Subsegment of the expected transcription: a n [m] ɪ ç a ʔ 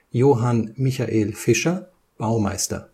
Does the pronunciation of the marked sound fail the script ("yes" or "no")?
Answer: no